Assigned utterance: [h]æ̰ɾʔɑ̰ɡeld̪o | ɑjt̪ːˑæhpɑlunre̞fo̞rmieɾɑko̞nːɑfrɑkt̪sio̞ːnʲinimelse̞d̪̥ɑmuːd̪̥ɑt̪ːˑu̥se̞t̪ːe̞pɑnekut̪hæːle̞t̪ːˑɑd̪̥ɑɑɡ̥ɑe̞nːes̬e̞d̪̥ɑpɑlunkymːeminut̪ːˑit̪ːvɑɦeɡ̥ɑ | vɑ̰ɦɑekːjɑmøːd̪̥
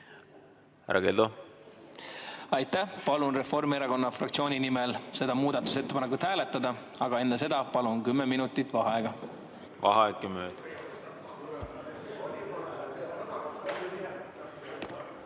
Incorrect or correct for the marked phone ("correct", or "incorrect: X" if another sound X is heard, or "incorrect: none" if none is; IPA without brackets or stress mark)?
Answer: correct